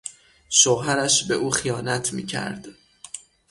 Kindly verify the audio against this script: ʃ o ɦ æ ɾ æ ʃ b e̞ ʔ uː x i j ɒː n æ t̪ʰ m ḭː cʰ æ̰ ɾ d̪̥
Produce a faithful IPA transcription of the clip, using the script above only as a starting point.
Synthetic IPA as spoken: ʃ o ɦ æ ɾ æ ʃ b e̞ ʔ uː x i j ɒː n æ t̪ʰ m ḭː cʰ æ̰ ɾ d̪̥

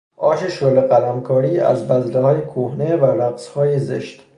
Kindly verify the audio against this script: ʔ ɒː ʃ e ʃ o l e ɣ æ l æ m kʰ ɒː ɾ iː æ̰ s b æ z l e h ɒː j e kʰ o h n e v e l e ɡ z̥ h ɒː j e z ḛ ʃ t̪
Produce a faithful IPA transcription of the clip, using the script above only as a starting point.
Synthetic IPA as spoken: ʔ ɒː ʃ e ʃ o l e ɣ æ l æ m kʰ ɒː ɾ iː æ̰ z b æ z l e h ɒː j e kʰ o h n e v æ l æ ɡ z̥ h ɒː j e z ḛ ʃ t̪

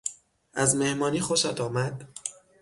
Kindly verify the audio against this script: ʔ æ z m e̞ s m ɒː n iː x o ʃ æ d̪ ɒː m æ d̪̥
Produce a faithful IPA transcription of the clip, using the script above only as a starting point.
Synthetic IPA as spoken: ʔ æ z m e̞ h m ɒː n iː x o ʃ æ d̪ ɒː m æ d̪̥

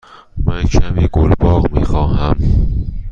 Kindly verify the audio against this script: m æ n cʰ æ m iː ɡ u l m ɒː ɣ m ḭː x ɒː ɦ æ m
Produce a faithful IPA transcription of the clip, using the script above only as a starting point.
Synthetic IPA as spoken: m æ n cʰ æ m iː ɡ o l b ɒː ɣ m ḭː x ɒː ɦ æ m

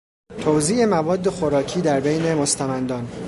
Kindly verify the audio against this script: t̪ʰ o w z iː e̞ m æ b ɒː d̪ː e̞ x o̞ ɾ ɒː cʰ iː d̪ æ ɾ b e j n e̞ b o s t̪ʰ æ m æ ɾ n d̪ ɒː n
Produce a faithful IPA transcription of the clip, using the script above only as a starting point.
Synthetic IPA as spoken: t̪ʰ o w z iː e̞ m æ v ɒː d̪ː e̞ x o̞ ɾ ɒː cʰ iː d̪ æ ɾ b e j n e̞ m o s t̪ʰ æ m æ n d̪ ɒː n

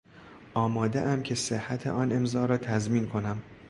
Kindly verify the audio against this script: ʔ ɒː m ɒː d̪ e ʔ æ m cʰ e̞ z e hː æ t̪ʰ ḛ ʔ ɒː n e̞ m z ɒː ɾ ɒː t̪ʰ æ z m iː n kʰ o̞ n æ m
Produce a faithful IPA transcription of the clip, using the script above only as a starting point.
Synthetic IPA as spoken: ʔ ɒː m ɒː d̪ e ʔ æ m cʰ e̞ s e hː æ t̪ʰ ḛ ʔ ɒː n e̞ m z ɒː ɾ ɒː t̪ʰ æ z m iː n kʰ o̞ n æ m

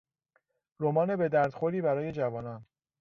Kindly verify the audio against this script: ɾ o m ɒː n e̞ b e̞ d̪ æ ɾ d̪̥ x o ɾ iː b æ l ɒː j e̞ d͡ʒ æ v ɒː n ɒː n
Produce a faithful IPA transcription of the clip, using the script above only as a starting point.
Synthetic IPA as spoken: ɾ o m ɒː n e̞ b e̞ d̪ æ ɾ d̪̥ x o ɾ iː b æ ɾ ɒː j e̞ d͡ʒ æ v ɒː n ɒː n

